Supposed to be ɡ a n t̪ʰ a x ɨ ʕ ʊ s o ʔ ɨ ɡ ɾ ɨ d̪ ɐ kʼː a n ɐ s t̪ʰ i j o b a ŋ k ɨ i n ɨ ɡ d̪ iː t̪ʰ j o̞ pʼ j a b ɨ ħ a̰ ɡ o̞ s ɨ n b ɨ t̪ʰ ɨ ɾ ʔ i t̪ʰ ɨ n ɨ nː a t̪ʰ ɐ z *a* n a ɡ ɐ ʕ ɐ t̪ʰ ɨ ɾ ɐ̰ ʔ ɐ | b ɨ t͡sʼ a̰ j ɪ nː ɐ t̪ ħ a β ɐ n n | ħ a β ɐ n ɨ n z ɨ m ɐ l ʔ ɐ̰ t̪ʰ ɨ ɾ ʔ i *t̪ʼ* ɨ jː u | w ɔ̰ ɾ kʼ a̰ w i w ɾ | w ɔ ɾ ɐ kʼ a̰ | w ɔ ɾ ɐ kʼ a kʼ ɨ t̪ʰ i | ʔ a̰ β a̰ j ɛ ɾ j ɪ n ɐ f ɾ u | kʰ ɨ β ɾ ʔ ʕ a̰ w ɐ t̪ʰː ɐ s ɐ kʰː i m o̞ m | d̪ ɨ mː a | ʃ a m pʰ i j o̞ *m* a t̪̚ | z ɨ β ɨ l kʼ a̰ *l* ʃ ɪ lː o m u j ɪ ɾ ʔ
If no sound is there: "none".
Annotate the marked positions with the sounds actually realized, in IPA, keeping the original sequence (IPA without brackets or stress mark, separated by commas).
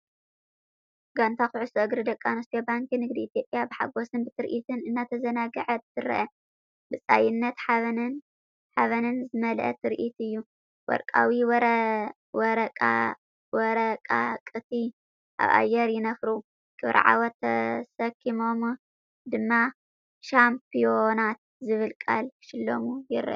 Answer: ɐ, t̪, n, l